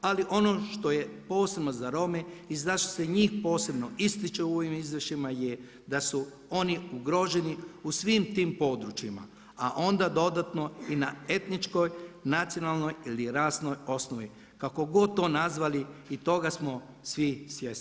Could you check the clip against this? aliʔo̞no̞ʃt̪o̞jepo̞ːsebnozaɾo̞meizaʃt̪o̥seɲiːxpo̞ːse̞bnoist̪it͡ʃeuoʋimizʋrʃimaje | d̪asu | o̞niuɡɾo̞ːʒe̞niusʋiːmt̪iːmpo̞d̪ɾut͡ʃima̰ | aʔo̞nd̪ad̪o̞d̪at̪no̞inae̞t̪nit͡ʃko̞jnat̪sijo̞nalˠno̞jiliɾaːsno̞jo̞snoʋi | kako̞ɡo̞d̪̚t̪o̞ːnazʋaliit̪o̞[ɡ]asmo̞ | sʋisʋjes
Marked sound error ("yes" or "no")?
no